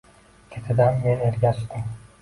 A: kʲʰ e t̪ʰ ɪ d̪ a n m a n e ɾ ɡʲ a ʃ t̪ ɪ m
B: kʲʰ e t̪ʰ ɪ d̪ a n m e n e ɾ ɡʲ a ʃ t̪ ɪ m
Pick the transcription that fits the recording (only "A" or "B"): B